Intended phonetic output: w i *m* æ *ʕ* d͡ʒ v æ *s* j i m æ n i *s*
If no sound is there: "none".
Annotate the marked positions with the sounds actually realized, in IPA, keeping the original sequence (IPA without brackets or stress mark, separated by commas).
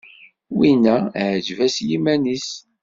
n, ʕ, s, s